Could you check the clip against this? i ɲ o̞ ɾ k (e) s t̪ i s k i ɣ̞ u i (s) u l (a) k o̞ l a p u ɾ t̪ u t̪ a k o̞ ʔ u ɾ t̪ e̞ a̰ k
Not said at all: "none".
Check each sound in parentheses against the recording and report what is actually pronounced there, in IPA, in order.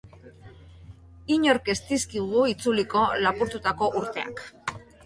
e, t͡s, i

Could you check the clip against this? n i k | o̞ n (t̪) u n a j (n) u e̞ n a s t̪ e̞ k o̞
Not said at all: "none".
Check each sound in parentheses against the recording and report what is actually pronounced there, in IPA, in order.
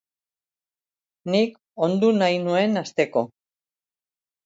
d̪, n

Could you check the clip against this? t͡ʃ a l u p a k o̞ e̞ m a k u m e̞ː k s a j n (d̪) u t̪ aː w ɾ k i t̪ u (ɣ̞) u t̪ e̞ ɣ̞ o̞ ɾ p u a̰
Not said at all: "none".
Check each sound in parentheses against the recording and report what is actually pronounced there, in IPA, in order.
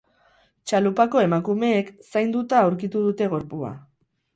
d̪, ð̞

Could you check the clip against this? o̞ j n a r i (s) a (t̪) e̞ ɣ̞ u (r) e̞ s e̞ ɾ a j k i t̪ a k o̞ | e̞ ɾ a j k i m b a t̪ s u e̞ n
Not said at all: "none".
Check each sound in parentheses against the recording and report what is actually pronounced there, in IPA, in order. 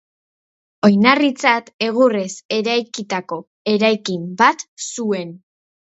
t͡s, t̪, r

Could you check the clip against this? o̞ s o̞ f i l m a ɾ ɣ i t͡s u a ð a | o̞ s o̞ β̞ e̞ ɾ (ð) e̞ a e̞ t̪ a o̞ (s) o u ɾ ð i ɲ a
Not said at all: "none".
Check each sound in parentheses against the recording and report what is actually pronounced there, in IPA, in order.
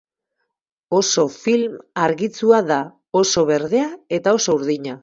ð, s

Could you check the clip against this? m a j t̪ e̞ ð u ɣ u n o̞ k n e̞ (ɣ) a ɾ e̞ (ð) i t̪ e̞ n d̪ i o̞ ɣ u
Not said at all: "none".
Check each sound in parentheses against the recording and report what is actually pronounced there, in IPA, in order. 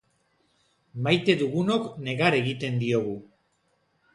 ɣ, ɣ

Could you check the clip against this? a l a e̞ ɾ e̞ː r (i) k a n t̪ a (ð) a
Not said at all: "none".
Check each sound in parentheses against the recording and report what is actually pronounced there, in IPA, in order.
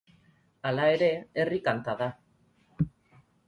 i, ð

